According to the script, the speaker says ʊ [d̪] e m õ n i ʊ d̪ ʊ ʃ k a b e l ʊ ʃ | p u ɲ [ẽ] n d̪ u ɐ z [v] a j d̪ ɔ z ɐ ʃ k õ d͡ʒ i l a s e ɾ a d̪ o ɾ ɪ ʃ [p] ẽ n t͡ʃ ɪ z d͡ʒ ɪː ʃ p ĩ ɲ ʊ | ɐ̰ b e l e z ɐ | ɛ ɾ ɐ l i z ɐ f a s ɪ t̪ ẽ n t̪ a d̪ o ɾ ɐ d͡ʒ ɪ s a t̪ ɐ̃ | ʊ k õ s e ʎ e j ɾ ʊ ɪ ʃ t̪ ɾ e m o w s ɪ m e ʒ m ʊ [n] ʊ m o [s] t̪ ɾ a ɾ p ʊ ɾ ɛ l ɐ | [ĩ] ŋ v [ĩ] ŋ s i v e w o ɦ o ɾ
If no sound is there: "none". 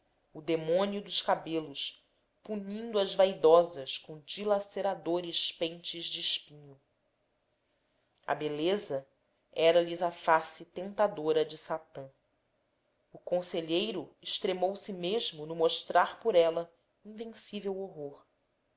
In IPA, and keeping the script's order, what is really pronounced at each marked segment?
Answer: d̪, ĩ, v, p, n, ʃ, ĩ, ẽ

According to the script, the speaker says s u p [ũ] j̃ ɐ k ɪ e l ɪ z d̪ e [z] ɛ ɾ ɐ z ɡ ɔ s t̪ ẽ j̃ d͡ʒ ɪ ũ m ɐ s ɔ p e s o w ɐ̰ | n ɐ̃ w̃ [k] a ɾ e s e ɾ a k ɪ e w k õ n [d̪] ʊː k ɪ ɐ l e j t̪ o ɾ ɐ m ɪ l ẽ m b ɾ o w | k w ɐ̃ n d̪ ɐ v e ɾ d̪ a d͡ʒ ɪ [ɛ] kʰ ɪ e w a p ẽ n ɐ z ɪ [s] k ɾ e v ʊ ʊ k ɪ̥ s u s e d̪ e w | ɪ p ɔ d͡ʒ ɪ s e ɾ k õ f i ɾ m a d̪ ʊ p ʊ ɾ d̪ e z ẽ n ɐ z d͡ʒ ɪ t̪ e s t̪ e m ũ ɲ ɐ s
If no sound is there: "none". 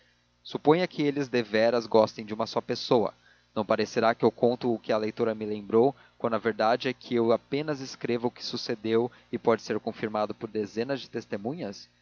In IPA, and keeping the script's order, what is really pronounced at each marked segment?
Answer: õ, v, p, t̪, ɛ, s

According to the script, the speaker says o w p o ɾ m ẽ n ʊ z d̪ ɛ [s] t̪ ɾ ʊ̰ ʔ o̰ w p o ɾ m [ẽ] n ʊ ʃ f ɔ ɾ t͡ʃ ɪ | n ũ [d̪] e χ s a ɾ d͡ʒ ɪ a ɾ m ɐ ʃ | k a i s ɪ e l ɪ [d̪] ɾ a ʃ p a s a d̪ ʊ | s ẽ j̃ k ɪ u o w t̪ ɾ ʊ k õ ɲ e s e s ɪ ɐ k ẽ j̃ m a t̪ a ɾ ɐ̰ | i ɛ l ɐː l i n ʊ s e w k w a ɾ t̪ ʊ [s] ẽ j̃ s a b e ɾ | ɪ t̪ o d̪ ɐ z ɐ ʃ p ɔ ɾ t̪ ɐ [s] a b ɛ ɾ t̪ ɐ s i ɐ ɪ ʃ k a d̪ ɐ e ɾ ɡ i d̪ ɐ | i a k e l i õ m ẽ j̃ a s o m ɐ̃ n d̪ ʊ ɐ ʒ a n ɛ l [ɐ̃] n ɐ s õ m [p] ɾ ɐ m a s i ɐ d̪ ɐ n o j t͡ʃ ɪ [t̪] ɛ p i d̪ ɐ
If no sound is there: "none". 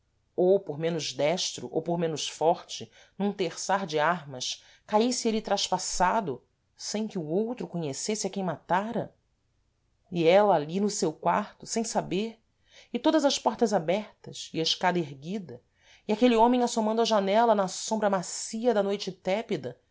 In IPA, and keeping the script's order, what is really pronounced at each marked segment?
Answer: ʃ, ẽ, t̪, t̪, s, z, ɐ, b, t̪

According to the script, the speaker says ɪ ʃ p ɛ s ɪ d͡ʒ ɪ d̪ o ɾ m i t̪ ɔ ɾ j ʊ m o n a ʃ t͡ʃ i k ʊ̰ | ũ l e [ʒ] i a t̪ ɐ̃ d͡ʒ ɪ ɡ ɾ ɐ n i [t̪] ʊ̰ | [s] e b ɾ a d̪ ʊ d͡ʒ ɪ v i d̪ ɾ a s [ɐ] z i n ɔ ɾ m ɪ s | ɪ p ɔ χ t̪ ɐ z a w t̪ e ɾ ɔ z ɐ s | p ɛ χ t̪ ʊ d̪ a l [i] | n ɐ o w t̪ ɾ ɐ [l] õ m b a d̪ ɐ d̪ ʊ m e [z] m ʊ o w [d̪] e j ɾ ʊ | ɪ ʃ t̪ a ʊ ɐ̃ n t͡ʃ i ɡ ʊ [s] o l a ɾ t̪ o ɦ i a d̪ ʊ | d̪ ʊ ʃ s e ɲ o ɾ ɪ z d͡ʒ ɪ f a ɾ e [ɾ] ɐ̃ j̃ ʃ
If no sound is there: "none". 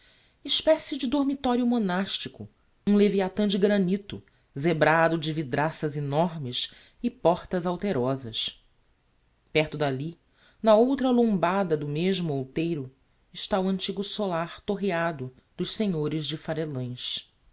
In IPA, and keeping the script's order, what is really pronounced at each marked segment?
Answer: v, t̪, z, ɐ, i, l, ʒ, t̪, s, l

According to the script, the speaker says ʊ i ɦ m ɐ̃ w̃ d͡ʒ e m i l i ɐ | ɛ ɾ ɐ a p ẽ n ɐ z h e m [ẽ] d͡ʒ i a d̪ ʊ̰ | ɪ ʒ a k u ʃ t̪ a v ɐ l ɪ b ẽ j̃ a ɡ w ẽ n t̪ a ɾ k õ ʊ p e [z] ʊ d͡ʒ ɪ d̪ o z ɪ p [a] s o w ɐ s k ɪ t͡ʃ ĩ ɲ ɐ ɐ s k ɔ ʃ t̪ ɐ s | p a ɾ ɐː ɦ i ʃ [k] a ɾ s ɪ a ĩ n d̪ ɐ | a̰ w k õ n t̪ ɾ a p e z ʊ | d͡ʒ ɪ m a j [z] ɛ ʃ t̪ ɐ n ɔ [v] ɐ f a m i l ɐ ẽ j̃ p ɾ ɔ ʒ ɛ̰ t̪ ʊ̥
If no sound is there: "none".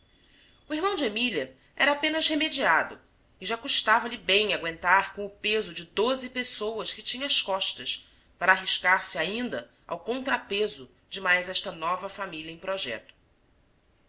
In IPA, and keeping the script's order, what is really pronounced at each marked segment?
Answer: e, z, e, k, z, v

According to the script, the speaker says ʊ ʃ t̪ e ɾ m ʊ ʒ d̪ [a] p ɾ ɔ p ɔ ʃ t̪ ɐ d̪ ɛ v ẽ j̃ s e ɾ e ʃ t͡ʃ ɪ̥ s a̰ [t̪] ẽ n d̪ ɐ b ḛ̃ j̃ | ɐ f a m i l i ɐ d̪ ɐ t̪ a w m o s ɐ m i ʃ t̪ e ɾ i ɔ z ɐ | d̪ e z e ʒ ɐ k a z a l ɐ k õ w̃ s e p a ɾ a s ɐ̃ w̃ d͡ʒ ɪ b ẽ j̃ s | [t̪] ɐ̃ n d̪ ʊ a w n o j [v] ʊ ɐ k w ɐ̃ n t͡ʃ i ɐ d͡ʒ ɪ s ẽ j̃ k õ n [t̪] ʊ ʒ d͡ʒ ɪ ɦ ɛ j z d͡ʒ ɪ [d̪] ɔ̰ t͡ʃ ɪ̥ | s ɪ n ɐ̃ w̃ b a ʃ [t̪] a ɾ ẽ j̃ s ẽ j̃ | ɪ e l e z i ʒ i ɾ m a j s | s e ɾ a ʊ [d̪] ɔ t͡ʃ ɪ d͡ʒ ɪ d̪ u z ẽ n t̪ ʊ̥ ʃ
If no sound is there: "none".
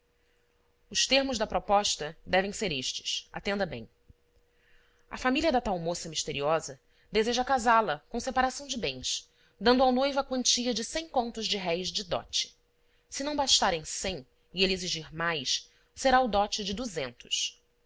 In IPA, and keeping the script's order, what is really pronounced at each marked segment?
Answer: ɐ, t̪, d̪, v, t̪, d̪, t̪, d̪

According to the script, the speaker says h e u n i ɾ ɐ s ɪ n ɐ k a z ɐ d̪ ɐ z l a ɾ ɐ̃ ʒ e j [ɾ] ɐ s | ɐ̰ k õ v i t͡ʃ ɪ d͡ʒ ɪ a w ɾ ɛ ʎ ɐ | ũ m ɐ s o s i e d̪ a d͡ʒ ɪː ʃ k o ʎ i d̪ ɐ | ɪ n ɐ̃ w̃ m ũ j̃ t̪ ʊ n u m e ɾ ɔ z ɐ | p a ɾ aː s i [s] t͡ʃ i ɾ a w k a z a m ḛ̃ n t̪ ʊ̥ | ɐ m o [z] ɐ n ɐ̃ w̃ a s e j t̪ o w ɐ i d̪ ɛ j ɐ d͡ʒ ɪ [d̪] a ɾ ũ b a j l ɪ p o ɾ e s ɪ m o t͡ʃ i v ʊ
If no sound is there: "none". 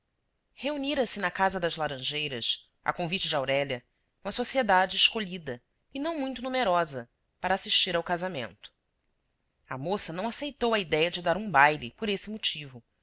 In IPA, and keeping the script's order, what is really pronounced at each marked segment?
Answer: ɾ, ʃ, s, d̪

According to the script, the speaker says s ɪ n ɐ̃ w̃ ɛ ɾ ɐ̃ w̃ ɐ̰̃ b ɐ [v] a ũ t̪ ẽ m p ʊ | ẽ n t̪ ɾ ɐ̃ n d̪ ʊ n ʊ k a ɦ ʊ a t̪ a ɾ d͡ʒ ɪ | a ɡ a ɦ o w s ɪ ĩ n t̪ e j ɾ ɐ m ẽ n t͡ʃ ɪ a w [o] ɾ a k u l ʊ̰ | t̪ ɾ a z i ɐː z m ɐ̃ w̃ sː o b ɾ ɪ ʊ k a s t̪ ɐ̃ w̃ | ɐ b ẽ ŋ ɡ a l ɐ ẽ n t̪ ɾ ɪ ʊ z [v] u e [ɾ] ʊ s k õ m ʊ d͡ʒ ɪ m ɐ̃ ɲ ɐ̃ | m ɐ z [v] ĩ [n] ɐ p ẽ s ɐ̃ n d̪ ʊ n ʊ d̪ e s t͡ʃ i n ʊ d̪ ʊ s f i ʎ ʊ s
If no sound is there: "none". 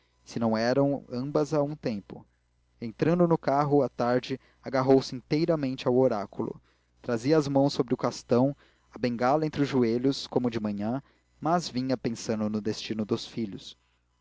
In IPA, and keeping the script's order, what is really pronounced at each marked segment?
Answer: z, o, ʒ, ʎ, v, ɲ

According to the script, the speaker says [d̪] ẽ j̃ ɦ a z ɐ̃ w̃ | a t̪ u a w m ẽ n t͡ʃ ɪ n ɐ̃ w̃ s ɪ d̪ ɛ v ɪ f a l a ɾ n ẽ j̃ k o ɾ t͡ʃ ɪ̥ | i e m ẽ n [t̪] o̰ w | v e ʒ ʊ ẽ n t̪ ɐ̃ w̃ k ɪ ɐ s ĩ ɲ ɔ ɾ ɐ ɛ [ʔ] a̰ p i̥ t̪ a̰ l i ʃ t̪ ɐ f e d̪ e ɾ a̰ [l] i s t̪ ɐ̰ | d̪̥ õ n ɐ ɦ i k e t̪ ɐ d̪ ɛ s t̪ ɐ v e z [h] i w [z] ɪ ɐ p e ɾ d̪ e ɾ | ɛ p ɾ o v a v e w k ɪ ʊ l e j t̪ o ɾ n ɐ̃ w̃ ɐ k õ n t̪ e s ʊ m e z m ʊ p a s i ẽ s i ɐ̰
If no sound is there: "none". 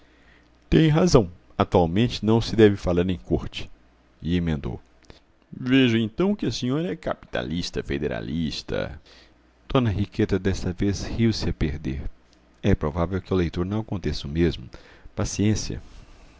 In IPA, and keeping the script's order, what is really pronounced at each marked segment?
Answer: t̪, d̪, k, l, h, s

